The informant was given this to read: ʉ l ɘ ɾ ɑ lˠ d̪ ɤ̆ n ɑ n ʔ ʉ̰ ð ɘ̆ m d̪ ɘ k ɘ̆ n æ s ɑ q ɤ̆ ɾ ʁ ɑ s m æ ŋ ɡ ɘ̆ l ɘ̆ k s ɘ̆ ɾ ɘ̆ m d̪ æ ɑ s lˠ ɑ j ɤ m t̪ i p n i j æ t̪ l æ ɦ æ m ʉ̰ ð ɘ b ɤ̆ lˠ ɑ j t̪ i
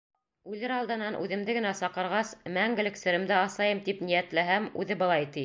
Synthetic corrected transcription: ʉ l ɘ ɾ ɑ lˠ d̪ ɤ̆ n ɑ n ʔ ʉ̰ ð ɘ̆ m d̪ ɘ ɡ ɘ̆ n æ s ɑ q ɤ̆ ɾ ʁ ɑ s m æ ŋ ɡ ɘ̆ l ɘ̆ k s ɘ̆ ɾ ɘ̆ m d̪ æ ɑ s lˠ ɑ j ɤ m t̪ i p n i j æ t̪ l æ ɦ æ m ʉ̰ ð ɘ b ɤ̆ lˠ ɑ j t̪ i

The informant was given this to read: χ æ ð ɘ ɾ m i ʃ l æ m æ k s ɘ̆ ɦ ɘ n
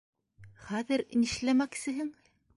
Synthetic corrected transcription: χ æ ð ɘ ɾ n i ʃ l æ m æ k s ɘ̆ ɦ ɘ ŋ

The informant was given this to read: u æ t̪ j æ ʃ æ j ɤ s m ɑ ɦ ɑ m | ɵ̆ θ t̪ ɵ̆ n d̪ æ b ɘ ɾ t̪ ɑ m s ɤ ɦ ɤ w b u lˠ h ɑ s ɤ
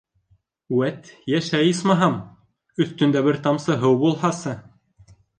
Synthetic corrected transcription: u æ t̪ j æ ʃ æ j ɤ s m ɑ ɦ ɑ m | ɵ̆ θ t̪ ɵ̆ n d̪ æ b ɘ ɾ t̪ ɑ m s ɤ ɦ ɤ w b u lˠ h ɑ s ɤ

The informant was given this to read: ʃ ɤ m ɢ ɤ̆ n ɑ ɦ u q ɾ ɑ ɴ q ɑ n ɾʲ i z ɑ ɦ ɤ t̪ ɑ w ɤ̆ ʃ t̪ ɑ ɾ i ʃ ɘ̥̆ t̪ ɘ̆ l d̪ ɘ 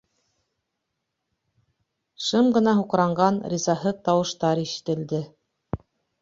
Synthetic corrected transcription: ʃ ɤ m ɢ ɤ̆ n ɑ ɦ u q ɾ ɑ ɴ ɢ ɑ n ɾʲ i z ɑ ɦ ɤ t̪ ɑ w ɤ̆ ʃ t̪ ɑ ɾ i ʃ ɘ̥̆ t̪ ɘ̆ l d̪ ɘ

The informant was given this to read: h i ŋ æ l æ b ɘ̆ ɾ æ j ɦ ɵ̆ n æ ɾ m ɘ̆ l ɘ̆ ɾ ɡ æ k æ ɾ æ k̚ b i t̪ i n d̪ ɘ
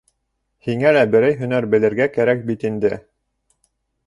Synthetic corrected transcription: h i ŋ æ l æ b ɘ̆ ɾ æ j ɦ ɵ̆ n æ ɾ b ɘ̆ l ɘ̆ ɾ ɡ æ k æ ɾ æ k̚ b i t̪ i n d̪ ɘ

